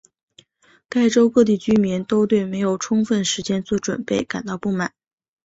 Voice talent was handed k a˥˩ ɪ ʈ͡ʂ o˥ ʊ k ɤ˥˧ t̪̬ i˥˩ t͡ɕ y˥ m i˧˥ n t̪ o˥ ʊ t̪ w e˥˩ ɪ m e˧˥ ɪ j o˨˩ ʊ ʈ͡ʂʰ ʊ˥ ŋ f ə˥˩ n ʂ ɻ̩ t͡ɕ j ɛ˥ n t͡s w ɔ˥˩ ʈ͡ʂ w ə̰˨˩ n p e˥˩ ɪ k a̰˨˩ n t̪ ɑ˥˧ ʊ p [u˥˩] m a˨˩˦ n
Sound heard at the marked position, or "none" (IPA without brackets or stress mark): u˥˩